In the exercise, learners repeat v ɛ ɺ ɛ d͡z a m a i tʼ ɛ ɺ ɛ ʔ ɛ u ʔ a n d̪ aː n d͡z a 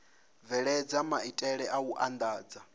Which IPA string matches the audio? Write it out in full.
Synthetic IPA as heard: v ɛ ɺ ɛ d͡z a m a i tʼ ɛ ɺ ɛ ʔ a u ʔ a n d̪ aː d͡z a